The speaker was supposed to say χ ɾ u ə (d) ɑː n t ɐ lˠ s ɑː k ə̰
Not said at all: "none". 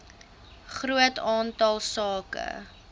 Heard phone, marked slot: t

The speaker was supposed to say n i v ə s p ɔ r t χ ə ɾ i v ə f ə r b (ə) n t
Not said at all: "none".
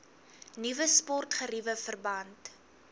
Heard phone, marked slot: ɐ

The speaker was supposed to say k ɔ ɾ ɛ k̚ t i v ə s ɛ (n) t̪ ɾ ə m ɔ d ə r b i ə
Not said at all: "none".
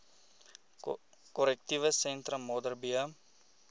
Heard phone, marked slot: n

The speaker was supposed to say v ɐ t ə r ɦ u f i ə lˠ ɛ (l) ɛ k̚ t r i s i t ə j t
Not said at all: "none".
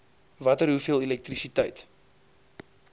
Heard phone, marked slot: l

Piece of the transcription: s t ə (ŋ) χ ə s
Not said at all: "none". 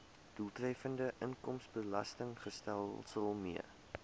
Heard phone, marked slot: ŋ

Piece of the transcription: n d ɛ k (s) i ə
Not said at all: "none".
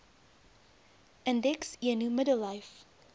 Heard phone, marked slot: s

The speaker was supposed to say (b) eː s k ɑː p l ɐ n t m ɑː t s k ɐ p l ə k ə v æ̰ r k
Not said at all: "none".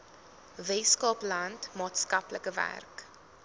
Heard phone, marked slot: v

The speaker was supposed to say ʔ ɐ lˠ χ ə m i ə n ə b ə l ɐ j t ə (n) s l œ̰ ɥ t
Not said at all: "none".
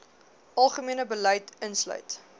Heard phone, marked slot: n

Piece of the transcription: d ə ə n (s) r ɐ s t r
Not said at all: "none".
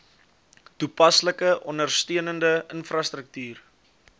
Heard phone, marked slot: f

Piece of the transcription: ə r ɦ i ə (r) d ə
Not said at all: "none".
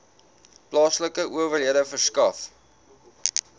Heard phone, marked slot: none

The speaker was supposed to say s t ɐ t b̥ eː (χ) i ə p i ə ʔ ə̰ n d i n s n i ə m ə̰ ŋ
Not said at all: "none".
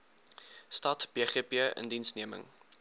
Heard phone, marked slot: χ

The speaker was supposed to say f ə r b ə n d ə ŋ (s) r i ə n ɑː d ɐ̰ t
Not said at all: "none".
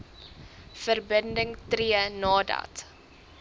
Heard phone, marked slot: t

